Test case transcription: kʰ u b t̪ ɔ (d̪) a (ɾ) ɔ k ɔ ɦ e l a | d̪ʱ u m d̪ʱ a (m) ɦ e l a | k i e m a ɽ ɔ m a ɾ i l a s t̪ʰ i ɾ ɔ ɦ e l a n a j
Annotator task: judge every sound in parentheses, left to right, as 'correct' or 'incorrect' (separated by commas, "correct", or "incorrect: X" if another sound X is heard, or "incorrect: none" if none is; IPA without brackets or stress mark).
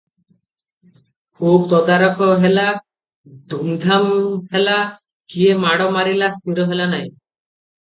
correct, correct, correct